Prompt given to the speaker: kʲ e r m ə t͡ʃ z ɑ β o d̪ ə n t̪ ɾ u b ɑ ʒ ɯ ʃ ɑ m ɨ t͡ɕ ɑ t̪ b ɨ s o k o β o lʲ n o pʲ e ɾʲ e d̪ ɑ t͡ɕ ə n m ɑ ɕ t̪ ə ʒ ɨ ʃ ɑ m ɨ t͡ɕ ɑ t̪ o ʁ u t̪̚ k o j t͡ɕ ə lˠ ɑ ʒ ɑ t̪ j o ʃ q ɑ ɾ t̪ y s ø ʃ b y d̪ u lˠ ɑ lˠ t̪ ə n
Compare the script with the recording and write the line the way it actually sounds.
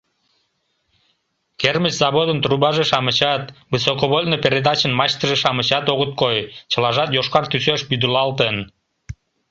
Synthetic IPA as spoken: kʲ e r m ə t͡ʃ z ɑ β o d̪ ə n t̪ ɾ u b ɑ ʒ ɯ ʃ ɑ m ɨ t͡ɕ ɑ t̪ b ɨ s o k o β o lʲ n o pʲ e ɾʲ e d̪ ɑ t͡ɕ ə n m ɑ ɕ t̪ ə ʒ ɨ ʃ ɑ m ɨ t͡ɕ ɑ t̪ o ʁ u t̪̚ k o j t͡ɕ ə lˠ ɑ ʒ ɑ t̪ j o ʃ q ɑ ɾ t̪ y s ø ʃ b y d̪ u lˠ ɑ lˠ t̪ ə n

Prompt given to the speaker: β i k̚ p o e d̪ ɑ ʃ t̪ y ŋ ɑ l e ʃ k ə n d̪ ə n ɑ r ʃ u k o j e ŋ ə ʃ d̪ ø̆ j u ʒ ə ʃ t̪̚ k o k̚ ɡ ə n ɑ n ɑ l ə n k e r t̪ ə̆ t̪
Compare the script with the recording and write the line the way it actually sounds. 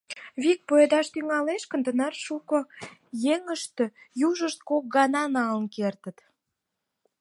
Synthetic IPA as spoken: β i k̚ p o e d̪ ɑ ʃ t̪ y ŋ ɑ l e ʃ k ə n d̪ ə n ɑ r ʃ u k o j e ŋ ə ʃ t̪ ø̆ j u ʒ ə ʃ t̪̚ k o k̚ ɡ ɑ n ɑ n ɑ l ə n k e r t̪ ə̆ t̪

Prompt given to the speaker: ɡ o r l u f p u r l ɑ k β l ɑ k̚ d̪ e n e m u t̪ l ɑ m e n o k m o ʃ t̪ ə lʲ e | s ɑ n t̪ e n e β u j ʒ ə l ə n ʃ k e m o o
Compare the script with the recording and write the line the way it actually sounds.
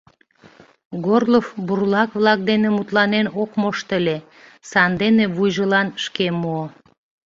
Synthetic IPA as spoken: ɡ o r l o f b u r l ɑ k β l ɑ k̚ d̪ e n e m u t̪ l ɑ n e n o k m o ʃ t̪ ə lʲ e | s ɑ n d̪ e n e β u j ʒ ə l ɑ n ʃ k e m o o

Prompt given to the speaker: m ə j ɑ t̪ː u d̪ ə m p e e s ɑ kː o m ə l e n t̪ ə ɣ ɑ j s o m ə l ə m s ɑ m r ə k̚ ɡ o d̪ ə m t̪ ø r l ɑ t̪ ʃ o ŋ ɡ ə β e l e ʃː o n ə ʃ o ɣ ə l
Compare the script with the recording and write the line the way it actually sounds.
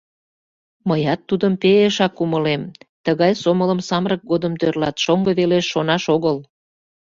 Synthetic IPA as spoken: m ə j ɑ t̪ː u d̪ ə m p e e ʃ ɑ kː u m ə l e m t̪ ə ɣ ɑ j s o m ə l ə m s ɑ m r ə k̚ ɡ o d̪ ə m t̪ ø r l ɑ t̪ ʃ o ŋ ɡ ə β e l e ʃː o n ɑ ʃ o ɣ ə l

